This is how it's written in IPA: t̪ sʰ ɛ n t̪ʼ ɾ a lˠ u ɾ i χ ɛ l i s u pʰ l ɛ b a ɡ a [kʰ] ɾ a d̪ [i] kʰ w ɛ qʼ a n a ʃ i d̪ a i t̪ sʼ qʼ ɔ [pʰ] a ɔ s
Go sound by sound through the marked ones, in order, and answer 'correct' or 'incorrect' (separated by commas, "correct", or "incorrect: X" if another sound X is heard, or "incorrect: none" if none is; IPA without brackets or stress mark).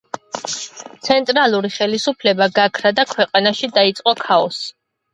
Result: correct, incorrect: a, incorrect: kʰ